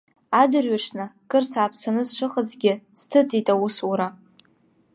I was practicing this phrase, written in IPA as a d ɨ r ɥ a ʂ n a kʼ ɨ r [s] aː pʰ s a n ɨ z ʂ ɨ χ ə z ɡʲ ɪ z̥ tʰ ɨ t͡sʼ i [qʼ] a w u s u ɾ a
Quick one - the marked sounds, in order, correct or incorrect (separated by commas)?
correct, incorrect